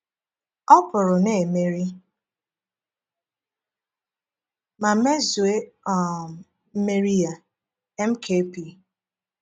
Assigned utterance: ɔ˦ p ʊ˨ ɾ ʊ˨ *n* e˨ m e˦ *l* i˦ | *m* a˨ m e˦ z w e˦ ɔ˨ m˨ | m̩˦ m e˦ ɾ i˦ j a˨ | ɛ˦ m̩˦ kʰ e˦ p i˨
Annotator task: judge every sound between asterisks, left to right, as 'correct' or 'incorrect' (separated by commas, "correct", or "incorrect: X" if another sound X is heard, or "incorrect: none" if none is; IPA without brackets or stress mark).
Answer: correct, incorrect: ɾ, correct